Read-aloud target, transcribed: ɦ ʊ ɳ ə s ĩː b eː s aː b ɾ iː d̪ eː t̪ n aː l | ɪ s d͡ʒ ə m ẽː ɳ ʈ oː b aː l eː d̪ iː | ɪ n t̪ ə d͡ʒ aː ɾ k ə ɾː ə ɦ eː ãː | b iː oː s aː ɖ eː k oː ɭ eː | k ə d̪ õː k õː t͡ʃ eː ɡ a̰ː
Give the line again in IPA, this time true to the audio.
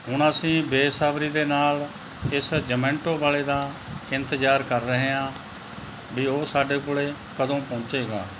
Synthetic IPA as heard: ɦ ʊ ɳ ə s ĩː b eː s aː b ɾ iː d̪ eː n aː l | ɪ s d͡ʒ ə m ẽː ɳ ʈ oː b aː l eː d̪ aː | ɪ n t̪ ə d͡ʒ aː ɾ k ə ɾː ə ɦ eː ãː | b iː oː s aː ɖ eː k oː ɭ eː | k ə d̪ õː p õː t͡ʃ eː ɡ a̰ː

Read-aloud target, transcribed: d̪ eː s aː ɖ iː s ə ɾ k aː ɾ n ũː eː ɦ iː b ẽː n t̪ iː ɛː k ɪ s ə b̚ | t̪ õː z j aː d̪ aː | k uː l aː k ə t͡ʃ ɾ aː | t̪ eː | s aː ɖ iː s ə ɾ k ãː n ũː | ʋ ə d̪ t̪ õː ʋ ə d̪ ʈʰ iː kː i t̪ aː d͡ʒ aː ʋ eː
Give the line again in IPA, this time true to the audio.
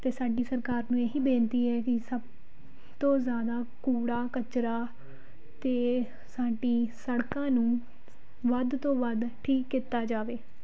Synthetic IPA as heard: t̪ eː s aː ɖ iː s ə ɾ k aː ɾ n ũː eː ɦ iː b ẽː n t̪ iː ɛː k ɪ s ə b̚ | t̪ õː z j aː d̪ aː | k uː ɽ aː k ə t͡ʃ ɾ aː | t̪ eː | s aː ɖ iː s ə ɽ k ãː n ũː | ʋ ə d̪ t̪ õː ʋ ə d̪ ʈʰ iː kː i t̪ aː d͡ʒ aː ʋ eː

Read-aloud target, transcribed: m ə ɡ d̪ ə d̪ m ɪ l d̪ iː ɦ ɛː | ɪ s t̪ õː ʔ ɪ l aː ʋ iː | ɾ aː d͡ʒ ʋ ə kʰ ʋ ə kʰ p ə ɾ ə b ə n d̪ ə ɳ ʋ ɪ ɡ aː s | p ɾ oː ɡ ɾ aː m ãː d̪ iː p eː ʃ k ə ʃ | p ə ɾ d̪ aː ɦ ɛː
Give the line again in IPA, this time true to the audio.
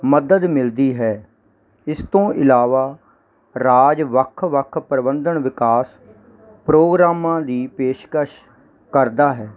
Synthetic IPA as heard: m ə d̪ ə d̪ m ɪ l d̪ iː ɦ ɛː | ɪ s t̪ õː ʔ ɪ l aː ʋ aː | ɾ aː d͡ʒ ʋ ə kʰ ʋ ə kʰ p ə ɾ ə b ə n d̪ ə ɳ ʋ ɪ k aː s | p ɾ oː ɡ ɾ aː m ãː d̪ iː p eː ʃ k ə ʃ | k ə ɾ d̪ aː ɦ ɛː

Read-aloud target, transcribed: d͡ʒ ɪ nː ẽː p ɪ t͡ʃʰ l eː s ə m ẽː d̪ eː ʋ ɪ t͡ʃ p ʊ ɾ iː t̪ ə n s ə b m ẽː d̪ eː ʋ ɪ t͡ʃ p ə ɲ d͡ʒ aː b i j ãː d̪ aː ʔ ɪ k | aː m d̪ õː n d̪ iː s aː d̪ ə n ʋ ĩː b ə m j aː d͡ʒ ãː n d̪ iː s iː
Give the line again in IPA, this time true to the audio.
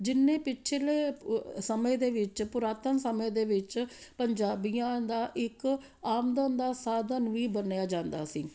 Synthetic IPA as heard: d͡ʒ ɪ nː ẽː p ɪ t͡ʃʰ l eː s ə m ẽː d̪ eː ʋ ɪ t͡ʃ p ʊ ɾ aː t̪ ə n s ə m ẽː d̪ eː ʋ ɪ t͡ʃ p ə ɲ d͡ʒ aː b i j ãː d̪ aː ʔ ɪ k | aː m d̪ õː n d̪ aː s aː d̪ ə n ʋ iː b ə n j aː d͡ʒ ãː n d̪ aː s iː

